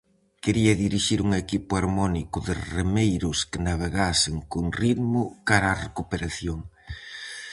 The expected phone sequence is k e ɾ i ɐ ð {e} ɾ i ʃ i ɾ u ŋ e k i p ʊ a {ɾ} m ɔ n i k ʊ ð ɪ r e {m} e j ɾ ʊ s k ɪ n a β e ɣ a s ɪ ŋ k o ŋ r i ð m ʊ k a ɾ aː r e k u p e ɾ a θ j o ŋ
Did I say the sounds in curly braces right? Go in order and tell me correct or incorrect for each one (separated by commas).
incorrect, correct, correct